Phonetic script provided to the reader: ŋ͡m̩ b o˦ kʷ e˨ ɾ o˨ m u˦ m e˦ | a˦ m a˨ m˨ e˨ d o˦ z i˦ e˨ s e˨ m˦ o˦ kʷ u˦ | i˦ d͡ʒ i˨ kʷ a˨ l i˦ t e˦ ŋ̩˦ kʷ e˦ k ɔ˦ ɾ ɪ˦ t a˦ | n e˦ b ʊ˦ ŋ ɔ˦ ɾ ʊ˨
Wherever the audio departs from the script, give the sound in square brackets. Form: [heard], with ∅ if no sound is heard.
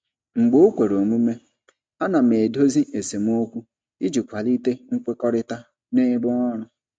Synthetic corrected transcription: ŋ͡m̩ [ɡ͡b] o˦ kʷ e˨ ɾ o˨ m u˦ m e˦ | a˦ [n] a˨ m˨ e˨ d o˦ z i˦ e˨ s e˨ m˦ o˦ kʷ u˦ | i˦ d͡ʒ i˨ kʷ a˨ l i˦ t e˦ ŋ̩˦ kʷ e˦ k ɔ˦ ɾ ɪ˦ t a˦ | n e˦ b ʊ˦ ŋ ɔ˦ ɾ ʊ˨